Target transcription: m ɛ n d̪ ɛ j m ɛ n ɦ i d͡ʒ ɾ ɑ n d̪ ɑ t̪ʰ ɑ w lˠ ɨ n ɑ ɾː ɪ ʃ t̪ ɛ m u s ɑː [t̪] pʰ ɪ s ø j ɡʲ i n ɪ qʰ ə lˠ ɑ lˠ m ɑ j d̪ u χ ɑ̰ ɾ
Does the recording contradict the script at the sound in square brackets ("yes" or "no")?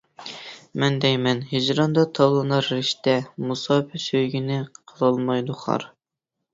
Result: yes